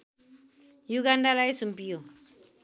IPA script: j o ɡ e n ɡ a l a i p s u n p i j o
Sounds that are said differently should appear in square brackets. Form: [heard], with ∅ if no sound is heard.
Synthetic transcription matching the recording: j [u] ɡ [a] n [d] a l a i [∅] s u [m] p i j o